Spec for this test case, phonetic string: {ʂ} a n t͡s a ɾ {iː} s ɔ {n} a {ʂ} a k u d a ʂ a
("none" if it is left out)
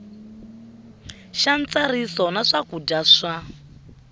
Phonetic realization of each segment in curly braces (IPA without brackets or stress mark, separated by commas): ʃ, i, n, ʂ